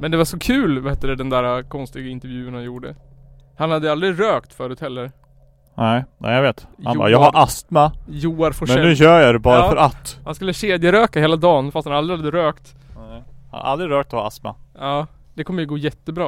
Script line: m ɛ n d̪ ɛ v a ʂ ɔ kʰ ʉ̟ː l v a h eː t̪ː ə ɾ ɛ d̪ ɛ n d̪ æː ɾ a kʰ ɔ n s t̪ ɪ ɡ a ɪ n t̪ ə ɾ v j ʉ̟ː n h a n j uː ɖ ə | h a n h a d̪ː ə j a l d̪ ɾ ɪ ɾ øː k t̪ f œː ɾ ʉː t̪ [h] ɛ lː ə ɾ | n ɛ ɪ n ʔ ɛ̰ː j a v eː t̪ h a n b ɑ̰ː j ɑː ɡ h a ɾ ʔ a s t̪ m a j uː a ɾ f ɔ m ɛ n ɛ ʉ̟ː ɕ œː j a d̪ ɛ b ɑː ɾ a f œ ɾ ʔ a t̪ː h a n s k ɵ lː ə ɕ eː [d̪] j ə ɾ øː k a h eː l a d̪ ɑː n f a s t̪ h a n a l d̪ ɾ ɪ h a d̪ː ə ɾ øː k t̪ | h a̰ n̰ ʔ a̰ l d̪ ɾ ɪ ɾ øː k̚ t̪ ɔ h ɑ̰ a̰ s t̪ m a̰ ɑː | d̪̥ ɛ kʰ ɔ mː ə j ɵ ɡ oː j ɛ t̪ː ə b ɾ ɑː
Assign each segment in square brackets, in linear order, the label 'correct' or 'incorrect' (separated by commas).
correct, correct